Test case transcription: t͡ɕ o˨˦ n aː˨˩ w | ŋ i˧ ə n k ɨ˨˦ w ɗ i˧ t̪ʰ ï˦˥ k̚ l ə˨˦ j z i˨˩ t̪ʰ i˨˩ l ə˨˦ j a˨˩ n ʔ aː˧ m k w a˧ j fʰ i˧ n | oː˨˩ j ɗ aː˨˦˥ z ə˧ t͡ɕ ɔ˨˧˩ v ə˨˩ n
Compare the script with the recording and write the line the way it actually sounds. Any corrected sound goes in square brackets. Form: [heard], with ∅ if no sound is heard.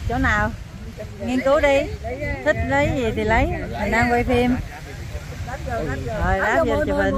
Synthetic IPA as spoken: t͡ɕ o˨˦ n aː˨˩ w | ŋ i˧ ə n k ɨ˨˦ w ɗ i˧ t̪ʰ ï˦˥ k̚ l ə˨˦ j z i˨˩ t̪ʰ i˨˩ l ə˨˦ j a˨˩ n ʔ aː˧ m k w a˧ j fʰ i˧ [m] | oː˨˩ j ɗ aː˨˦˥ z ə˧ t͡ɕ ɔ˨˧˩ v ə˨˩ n

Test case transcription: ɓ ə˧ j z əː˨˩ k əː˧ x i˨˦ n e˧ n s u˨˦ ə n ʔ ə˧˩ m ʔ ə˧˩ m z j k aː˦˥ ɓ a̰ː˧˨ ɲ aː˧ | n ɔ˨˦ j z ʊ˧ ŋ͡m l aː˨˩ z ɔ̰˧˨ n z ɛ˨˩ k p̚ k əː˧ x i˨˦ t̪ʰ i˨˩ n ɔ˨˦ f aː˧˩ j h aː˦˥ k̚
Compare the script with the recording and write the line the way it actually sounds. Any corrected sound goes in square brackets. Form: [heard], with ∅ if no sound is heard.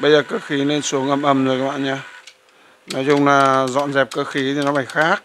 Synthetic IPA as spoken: ɓ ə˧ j z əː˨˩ k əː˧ x i˨˦ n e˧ n s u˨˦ ə [ŋ] ʔ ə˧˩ m ʔ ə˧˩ m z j k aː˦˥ ɓ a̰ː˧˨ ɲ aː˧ | n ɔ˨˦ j z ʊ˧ ŋ͡m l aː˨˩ z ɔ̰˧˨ n z ɛ˨˩ [∅] p̚ k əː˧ x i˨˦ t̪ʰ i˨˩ n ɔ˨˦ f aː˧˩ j [x] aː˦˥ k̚

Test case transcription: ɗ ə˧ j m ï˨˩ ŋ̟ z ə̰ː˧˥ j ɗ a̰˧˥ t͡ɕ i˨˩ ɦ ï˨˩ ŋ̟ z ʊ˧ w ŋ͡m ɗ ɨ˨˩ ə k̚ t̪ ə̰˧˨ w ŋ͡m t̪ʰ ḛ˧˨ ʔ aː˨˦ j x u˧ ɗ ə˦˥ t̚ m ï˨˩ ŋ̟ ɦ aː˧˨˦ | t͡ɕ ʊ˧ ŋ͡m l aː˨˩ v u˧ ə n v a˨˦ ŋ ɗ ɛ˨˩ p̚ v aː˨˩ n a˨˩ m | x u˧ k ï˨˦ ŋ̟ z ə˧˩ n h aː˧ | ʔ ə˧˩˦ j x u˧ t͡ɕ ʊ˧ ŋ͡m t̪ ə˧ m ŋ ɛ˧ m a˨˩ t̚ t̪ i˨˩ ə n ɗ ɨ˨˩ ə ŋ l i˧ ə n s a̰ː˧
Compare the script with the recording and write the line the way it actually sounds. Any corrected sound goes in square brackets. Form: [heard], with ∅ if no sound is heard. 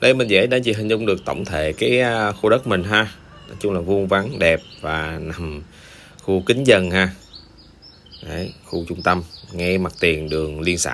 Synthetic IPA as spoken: ɗ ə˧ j m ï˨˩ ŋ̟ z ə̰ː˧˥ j ɗ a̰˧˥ t͡ɕ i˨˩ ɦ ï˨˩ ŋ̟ z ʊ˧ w ŋ͡m ɗ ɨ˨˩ ə k̚ t̪ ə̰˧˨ w ŋ͡m t̪ʰ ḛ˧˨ [k] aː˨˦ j x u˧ ɗ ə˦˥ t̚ m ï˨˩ ŋ̟ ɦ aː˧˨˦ | t͡ɕ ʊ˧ ŋ͡m l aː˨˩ v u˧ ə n v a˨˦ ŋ ɗ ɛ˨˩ p̚ v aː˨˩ n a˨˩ m | x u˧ k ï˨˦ ŋ̟ z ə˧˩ n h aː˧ | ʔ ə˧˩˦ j x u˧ t͡ɕ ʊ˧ ŋ͡m t̪ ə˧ m ŋ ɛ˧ m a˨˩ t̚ t̪ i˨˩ ə n ɗ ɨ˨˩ ə ŋ l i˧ ə n s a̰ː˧

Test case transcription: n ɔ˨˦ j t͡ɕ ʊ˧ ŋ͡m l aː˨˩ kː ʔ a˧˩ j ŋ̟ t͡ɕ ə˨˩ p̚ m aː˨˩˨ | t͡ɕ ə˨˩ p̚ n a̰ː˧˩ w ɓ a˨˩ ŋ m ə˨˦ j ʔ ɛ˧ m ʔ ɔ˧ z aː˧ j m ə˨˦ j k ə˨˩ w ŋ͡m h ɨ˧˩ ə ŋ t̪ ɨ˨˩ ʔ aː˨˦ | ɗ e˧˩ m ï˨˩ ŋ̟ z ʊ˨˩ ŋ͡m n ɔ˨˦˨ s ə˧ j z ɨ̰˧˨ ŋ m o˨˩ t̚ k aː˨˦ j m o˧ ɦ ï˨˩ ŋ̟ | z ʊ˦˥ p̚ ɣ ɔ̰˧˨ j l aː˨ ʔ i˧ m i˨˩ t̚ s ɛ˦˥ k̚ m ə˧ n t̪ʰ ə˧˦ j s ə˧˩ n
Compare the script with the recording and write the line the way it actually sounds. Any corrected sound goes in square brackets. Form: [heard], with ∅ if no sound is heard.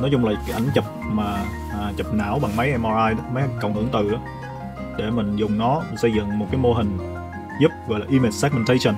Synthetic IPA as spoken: n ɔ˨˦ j t͡ɕ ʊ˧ ŋ͡m l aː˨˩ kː ʔ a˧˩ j ŋ̟ t͡ɕ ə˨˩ p̚ m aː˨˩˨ | t͡ɕ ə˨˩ p̚ n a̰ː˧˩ w ɓ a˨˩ ŋ m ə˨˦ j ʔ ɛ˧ m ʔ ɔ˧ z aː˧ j m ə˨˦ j k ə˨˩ w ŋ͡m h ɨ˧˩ ə ŋ t̪ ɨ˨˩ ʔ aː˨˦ | ɗ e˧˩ m ï˨˩ ŋ̟ z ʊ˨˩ ŋ͡m n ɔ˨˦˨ s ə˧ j z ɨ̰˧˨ ŋ m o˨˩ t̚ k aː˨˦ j m o˧ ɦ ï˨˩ ŋ̟ | z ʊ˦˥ p̚ ɣ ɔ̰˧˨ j l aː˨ ʔ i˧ m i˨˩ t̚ s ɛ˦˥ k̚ m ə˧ n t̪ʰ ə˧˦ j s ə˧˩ n

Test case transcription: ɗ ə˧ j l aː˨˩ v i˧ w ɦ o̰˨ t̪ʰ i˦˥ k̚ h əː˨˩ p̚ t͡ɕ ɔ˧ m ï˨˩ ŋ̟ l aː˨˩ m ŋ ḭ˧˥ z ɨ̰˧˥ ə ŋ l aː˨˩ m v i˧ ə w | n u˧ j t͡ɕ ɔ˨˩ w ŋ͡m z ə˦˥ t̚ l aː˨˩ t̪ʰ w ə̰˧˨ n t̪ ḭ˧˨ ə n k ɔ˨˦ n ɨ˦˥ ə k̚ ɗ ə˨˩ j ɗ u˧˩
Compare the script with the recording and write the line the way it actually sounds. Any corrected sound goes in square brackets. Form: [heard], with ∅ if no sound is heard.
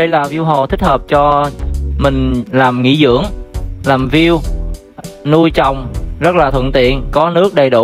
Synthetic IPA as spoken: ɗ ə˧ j l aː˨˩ v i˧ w ɦ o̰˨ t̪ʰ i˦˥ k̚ h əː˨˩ p̚ t͡ɕ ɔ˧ m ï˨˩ ŋ̟ l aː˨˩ m ŋ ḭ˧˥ z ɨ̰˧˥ ə ŋ l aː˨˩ m v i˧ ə w | n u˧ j t͡ɕ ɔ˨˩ w ŋ͡m z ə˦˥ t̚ l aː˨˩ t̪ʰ w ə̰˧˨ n t̪ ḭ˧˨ ə n k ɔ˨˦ n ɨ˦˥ ə k̚ ɗ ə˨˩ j ɗ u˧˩

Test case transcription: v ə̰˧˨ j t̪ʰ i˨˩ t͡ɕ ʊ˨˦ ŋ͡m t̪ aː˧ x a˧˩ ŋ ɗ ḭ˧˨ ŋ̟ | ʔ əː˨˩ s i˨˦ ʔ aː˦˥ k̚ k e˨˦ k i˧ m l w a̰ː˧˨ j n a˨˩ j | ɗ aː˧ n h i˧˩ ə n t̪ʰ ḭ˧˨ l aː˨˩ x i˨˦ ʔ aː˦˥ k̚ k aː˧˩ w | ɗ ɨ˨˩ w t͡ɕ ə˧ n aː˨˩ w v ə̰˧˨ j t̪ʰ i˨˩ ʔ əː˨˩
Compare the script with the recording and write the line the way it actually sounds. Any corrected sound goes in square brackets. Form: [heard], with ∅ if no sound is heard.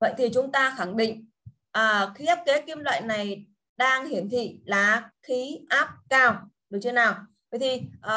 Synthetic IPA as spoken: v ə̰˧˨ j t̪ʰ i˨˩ t͡ɕ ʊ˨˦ ŋ͡m t̪ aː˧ x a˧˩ ŋ ɗ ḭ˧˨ ŋ̟ | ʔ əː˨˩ [x] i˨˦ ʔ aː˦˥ [p̚] k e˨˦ k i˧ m l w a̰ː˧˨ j n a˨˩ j | ɗ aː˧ [ŋ] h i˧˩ ə n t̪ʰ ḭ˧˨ l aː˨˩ x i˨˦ ʔ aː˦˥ [p̚] k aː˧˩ w | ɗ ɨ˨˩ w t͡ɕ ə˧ n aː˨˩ w v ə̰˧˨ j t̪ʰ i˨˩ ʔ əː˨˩

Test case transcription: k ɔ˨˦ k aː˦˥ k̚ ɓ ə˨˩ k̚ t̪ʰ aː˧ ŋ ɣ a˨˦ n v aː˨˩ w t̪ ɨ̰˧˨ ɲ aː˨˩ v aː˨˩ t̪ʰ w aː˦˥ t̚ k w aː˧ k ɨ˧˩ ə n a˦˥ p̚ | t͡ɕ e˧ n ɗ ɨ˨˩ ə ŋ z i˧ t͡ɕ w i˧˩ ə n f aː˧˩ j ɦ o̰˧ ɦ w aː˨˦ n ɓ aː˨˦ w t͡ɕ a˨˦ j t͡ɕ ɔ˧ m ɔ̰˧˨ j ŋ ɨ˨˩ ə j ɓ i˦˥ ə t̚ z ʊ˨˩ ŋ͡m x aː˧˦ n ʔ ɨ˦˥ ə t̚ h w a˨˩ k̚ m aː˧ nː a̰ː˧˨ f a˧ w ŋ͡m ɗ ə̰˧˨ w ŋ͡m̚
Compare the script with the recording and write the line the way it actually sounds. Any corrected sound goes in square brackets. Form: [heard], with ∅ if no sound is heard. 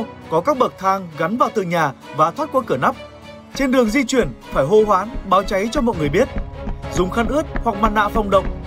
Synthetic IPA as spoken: k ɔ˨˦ k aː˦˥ k̚ ɓ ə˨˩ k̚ t̪ʰ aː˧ ŋ ɣ a˨˦ n v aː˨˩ w t̪ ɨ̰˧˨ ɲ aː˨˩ v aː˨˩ t̪ʰ w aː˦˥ t̚ k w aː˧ k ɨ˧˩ ə n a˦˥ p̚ | t͡ɕ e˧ n ɗ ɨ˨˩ ə ŋ z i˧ t͡ɕ w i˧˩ ə n f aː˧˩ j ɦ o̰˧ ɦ w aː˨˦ n ɓ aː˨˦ w t͡ɕ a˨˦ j t͡ɕ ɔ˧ m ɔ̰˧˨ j ŋ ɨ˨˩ ə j ɓ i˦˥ ə t̚ z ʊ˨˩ ŋ͡m x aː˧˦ n ʔ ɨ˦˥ ə t̚ h w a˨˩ k̚ m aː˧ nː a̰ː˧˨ f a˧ w ŋ͡m ɗ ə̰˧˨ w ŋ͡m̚

